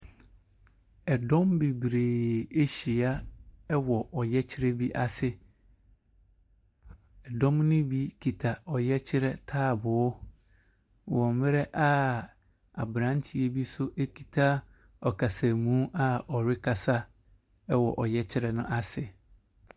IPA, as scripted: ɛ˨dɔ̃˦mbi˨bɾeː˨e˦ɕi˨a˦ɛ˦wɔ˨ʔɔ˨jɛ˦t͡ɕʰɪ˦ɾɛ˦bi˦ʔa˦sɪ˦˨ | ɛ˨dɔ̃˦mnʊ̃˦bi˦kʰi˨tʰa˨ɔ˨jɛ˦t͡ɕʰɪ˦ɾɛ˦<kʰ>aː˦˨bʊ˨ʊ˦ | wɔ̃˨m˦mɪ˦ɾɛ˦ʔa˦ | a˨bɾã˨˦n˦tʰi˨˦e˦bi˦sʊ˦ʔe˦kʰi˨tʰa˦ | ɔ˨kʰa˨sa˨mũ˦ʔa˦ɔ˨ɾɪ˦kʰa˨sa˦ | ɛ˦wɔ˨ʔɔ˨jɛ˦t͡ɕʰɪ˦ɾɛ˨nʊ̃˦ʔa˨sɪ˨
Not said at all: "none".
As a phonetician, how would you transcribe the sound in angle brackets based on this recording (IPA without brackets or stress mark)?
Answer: tʰ